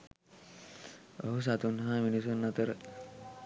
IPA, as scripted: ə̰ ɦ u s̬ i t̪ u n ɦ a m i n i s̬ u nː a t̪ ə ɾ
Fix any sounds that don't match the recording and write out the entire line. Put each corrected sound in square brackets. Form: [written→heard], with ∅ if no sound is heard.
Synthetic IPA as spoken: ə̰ ɦ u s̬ [i→a] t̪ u n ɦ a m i n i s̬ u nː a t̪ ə ɾ